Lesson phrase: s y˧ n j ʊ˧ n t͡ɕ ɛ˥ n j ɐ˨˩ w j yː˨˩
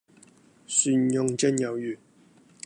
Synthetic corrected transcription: s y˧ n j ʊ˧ ŋ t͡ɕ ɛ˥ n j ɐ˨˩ w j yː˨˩